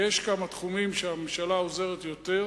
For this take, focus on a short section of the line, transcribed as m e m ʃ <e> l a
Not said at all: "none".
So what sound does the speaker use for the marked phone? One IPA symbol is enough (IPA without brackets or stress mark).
a